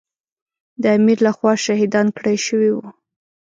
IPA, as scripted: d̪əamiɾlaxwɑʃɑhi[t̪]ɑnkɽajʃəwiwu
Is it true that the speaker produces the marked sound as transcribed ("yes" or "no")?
no